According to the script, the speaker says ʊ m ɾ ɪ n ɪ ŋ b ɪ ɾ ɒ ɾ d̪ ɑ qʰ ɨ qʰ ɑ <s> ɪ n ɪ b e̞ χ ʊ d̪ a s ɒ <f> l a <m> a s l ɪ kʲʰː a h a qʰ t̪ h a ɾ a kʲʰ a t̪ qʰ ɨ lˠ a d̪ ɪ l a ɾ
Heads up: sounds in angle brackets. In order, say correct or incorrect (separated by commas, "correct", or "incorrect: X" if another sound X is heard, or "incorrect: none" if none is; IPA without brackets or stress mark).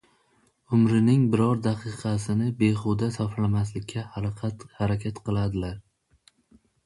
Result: correct, correct, correct